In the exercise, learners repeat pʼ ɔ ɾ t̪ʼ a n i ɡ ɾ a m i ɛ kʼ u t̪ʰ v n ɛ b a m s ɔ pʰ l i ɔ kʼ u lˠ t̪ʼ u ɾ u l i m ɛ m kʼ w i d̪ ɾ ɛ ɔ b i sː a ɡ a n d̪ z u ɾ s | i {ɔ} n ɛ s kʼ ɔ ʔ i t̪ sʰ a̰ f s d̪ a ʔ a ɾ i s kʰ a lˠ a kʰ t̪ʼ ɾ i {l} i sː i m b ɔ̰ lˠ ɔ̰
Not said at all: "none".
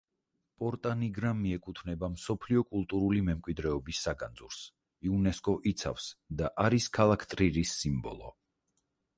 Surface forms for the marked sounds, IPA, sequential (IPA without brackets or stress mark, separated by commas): u, ɾ